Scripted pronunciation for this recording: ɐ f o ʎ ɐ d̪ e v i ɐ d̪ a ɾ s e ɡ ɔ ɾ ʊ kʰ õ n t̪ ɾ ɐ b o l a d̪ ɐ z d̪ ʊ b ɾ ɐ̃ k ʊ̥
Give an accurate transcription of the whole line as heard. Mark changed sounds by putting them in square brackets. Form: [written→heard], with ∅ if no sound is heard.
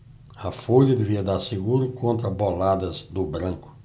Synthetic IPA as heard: ɐ f o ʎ ɐ d̪ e v i ɐ d̪ a ɾ s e ɡ [ɔ→u] ɾ ʊ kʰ õ n t̪ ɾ ɐ b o l a d̪ ɐ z d̪ ʊ b ɾ ɐ̃ k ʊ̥